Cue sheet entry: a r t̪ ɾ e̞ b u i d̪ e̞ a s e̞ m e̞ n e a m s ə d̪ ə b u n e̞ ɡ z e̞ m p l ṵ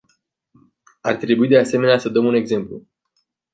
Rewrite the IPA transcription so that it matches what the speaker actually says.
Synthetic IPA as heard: a r t̪ ɾ e̞ b u i d̪ e̞ a s e̞ m e̞ n e a s ə d̪ ə m u n e̞ ɡ z e̞ m p l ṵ